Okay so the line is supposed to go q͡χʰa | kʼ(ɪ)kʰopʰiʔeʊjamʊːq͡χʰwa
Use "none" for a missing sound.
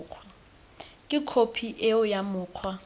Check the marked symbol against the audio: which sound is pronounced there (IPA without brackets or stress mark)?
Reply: ɪ